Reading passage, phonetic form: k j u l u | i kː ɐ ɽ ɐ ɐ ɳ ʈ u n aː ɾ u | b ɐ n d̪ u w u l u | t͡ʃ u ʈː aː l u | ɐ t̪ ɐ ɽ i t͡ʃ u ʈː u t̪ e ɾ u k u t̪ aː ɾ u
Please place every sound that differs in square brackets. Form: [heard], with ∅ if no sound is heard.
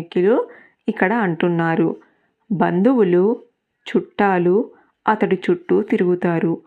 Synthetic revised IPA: k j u l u | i kː ɐ ɽ ɐ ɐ ɳ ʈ u [nː] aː ɾ u | b ɐ n d̪ u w u l u | t͡ʃ u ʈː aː l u | ɐ t̪ ɐ ɽ i t͡ʃ u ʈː u t̪ [i] ɾ u [ɡ] u t̪ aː ɾ u